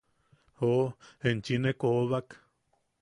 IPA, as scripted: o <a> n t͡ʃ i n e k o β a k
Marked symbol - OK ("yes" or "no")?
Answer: no